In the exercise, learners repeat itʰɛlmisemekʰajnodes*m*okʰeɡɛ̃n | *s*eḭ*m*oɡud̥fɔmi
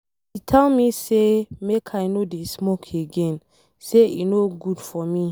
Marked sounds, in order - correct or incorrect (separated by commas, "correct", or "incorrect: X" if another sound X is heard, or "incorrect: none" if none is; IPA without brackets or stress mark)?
correct, correct, incorrect: n